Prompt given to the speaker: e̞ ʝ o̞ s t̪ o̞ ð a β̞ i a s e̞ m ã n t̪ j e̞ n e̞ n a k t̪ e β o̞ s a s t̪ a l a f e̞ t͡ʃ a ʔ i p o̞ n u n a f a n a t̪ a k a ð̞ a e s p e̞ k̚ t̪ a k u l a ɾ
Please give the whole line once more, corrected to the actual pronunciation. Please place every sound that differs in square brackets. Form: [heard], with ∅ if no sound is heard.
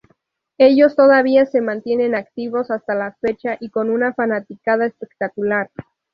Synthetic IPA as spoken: e̞ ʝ o̞ s t̪ o̞ ð a β̞ i a s e̞ m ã n t̪ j e̞ n e̞ n a k t̪ [i] β o̞ s a s t̪ a l a f e̞ t͡ʃ a ʔ i [k] o̞ n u n a f a n a t̪ [i] k a ð̞ a e s p e̞ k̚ t̪ a k u l a ɾ